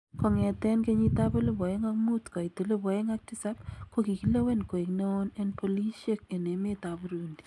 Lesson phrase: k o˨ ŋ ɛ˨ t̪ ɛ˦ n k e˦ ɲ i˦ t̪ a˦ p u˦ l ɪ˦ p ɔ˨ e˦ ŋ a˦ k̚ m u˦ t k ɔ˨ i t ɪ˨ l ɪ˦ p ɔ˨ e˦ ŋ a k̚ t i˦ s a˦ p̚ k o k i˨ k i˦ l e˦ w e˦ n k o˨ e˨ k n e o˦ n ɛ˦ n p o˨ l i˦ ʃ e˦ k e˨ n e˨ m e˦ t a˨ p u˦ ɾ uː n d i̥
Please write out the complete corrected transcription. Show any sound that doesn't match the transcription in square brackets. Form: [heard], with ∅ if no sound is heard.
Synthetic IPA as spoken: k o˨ ŋ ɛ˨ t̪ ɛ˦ n k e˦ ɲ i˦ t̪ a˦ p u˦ l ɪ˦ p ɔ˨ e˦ ŋ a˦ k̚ m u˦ t k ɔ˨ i t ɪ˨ l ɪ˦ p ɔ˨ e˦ ŋ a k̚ t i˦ s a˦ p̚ k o k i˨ k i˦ l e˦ w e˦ n k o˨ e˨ k n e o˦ n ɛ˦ n p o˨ l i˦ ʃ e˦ k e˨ n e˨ m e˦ t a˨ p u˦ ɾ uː n d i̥